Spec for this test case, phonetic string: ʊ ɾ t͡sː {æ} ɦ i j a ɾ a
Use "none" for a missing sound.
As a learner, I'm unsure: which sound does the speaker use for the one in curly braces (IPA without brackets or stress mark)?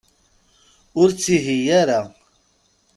i